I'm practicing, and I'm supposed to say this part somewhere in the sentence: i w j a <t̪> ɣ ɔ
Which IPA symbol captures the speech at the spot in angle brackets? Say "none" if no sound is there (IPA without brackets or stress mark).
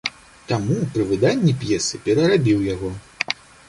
none